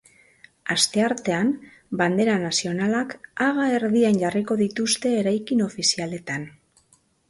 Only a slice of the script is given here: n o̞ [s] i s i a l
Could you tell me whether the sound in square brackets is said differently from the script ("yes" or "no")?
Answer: yes